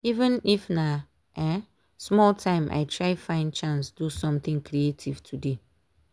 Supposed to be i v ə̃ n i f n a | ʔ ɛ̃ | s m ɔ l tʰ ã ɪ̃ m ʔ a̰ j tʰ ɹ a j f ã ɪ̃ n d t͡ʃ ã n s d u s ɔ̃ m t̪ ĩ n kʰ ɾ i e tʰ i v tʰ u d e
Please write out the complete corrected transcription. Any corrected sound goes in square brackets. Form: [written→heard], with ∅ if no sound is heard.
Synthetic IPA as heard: i v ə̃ n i f n a | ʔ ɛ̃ | s m ɔ l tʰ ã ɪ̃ m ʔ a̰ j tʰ ɹ a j f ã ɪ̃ n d t͡ʃ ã n s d u s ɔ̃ m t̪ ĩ [n→ŋ] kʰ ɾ i e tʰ i v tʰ u d e